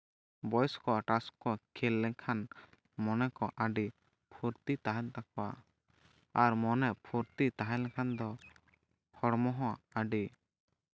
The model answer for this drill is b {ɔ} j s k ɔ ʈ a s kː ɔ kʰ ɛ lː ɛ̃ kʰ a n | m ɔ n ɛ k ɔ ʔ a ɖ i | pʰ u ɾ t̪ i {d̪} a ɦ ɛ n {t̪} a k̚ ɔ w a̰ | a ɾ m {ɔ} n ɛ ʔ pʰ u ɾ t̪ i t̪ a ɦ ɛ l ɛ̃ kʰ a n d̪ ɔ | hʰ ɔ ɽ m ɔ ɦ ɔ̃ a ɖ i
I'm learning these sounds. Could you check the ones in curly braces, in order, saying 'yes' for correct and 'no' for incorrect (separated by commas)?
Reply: yes, no, yes, yes